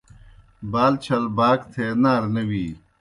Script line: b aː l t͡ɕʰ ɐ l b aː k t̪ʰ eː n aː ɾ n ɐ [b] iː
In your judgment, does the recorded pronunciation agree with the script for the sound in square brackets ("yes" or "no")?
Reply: no